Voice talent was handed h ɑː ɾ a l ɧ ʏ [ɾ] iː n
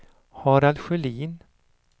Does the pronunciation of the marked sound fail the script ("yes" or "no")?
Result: yes